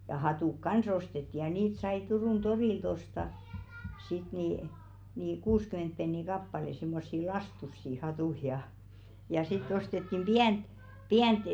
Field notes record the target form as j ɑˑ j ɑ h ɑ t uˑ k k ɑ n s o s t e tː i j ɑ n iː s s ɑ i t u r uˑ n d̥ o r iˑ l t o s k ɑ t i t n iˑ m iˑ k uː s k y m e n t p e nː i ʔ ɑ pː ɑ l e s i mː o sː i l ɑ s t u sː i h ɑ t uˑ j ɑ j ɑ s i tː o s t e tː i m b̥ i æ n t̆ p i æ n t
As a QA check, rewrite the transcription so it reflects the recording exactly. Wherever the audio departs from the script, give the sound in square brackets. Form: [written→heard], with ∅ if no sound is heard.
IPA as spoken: j ɑˑ j ɑ h ɑ t uˑ k k ɑ n s o s t e tː i j ɑ n iː [s→t] s ɑ i t u r uˑ n d̥ o r iˑ l t o s [k→t] ɑ [t→s] i t n iˑ [m→n] iˑ k uː s k y m e n t p e nː i [ʔ→k] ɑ pː ɑ l e s i mː o sː i l ɑ s t u sː i h ɑ t uˑ j ɑ j ɑ s i tː o s t e tː i m b̥ i æ n t̆ p i æ n t